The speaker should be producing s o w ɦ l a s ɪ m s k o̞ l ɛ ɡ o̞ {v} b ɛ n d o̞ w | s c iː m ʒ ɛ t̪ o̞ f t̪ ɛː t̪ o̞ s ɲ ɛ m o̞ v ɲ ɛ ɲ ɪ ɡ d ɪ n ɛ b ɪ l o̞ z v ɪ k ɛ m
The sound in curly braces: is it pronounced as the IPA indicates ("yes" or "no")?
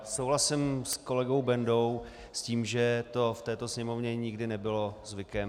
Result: no